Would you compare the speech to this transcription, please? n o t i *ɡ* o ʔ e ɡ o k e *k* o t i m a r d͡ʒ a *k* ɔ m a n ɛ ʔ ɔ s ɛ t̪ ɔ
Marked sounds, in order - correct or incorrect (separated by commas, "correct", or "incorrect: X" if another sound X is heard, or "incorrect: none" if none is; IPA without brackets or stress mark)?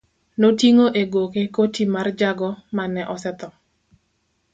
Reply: incorrect: ŋ, correct, incorrect: ɡ